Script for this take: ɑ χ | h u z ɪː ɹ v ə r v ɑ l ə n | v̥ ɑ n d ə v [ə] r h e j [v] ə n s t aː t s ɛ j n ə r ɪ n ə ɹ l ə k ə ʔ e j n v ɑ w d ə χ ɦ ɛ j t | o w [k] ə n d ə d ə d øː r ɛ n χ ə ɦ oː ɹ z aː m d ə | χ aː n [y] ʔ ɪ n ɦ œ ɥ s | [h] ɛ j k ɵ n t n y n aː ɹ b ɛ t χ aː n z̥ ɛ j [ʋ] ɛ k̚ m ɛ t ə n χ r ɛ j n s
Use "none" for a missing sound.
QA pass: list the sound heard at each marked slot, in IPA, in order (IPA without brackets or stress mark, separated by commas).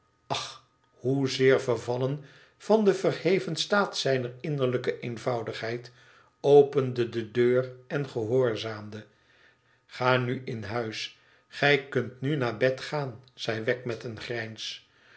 ə, v, p, y, χ, ʋ